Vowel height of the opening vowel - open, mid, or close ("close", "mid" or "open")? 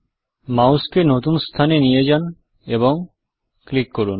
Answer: open